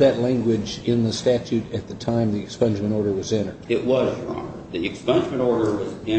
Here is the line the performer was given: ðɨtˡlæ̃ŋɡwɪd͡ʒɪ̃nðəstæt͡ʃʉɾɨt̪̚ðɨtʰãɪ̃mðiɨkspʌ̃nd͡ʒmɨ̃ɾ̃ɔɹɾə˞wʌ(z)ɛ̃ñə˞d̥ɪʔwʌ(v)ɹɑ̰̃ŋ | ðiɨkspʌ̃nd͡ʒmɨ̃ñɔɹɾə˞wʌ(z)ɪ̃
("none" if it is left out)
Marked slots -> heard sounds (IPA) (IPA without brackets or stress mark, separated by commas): z, z, z